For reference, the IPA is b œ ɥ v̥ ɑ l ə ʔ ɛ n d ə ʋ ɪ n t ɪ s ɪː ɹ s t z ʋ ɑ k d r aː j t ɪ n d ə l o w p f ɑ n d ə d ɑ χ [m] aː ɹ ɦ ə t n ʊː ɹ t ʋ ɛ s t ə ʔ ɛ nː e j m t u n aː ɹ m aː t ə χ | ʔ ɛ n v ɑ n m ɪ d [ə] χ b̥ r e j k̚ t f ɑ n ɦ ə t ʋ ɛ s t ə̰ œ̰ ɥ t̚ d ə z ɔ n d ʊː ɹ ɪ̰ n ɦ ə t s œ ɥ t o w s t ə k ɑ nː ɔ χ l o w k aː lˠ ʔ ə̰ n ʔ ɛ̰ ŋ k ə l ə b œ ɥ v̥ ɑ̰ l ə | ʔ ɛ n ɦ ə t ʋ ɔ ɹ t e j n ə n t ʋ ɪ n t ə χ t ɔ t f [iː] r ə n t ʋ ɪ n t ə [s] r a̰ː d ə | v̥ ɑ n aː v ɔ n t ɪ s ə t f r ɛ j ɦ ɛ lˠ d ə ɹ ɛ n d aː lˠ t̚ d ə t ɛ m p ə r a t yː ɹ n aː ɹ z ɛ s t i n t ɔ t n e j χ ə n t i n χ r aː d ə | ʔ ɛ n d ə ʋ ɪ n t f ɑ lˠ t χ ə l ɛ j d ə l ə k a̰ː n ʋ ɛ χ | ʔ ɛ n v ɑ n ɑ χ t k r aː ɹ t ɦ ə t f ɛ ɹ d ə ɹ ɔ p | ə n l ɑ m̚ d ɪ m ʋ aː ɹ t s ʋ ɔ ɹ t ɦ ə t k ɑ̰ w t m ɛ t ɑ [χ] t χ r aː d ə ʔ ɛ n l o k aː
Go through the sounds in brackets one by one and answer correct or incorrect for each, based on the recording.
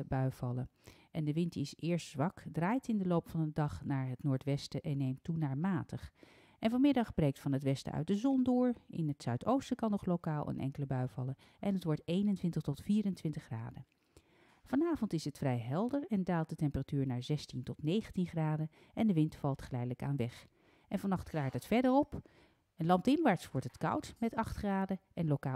incorrect: n, incorrect: ɑ, correct, incorrect: χ, correct

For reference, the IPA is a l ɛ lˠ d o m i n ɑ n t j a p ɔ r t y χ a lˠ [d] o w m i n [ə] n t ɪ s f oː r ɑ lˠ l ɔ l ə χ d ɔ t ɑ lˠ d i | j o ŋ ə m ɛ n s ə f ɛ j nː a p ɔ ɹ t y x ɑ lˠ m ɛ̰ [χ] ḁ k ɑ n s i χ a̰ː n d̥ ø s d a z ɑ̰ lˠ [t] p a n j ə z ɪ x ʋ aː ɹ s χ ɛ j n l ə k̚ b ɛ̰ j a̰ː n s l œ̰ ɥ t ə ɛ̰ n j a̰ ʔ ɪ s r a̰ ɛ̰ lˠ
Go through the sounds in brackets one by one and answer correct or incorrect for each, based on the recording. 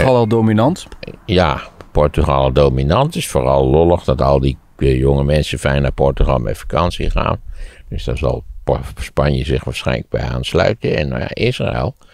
correct, incorrect: ɑ, incorrect: f, incorrect: s

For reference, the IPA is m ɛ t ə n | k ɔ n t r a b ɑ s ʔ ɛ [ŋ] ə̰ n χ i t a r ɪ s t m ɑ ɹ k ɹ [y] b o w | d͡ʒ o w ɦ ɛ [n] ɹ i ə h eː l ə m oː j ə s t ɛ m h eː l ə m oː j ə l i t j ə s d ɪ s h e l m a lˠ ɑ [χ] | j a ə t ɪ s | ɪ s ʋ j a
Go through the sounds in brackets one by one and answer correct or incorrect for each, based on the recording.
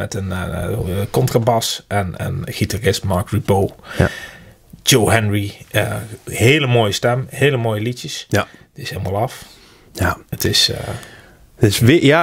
incorrect: n, incorrect: i, correct, incorrect: f

